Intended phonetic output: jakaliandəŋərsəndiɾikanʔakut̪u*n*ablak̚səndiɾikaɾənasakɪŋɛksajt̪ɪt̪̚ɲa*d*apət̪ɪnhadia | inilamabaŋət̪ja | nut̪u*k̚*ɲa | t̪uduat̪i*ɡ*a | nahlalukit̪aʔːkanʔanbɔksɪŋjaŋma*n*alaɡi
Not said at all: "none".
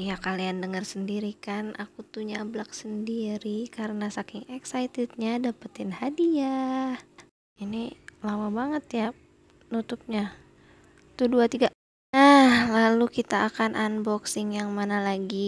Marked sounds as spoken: ɲ, d, p̚, ɡ, n

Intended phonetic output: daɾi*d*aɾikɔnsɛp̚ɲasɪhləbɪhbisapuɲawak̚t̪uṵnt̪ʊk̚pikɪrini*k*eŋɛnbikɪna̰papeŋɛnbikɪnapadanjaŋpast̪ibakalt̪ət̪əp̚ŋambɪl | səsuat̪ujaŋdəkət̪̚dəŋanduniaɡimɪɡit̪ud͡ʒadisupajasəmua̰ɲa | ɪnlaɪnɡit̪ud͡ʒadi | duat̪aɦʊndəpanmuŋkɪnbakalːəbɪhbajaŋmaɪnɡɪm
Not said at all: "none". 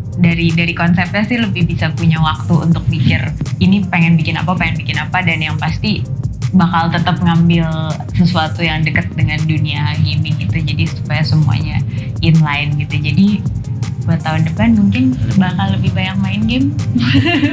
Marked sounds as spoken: d, p

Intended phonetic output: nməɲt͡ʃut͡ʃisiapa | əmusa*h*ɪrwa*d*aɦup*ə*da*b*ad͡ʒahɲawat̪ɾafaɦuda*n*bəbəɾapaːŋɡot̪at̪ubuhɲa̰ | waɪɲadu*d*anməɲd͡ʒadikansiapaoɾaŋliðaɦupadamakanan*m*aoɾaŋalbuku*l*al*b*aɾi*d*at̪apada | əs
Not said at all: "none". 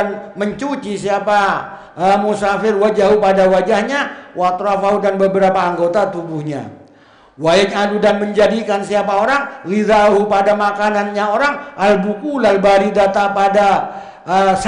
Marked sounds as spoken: f, d͡ʒ, a, w, n, d, ɲ, l, b, d

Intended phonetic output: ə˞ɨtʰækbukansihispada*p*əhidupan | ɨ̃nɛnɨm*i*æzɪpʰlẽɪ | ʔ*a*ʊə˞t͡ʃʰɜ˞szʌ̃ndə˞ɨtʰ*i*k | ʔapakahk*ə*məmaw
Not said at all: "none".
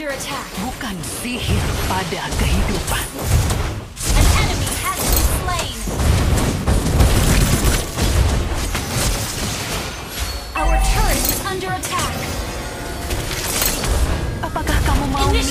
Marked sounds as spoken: k, i, a, æ, a

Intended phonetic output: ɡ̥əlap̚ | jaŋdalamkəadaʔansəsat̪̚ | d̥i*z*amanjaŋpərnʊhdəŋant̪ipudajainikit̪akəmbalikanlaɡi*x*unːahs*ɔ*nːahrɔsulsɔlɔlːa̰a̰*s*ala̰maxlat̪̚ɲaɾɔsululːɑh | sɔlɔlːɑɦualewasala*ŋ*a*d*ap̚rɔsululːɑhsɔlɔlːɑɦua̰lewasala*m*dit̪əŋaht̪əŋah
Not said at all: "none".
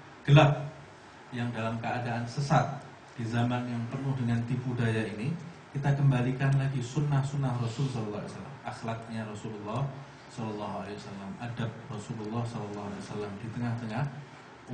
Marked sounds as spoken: z, s, u, s, m, d, m

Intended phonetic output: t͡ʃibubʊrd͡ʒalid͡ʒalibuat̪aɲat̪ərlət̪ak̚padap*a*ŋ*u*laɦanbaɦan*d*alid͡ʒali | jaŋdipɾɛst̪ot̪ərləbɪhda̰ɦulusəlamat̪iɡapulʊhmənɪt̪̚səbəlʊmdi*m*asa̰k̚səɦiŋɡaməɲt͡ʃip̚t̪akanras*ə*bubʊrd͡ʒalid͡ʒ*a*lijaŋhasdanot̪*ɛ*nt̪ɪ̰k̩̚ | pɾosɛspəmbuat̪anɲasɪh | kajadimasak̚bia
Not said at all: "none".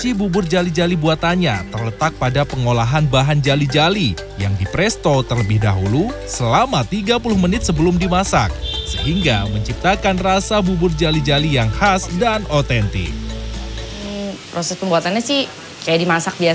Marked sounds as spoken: ə, o, d͡ʒ, m, a, a, ɛ

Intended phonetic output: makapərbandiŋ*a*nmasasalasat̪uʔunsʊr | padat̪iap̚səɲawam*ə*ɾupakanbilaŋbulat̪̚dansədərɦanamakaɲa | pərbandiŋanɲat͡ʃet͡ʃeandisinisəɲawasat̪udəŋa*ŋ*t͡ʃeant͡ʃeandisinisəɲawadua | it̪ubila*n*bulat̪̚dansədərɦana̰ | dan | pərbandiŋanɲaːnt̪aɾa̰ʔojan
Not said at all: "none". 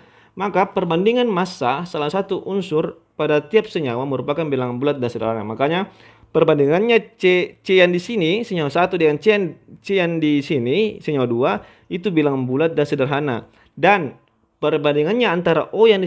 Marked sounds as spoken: a, ə, n, ŋ

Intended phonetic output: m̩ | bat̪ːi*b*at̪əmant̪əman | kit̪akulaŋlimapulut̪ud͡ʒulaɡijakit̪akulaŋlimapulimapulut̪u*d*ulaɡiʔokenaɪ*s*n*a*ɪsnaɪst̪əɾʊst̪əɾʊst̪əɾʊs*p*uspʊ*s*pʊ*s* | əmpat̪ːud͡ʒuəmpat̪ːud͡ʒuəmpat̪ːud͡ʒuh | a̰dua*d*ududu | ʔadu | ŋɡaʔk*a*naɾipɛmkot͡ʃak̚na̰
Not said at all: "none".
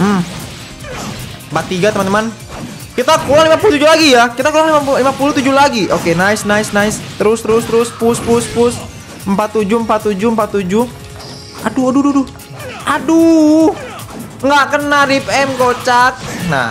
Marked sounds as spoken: ɡ, d͡ʒ, s, a, p, s, s, d, ə

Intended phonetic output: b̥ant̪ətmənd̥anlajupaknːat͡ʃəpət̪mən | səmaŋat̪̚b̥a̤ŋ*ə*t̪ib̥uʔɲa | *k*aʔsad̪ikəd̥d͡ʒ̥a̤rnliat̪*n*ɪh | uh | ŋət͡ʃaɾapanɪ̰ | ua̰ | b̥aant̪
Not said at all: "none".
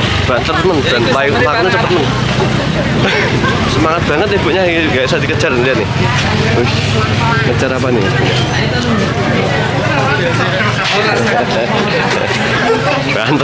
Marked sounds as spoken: ə, ɡ, n

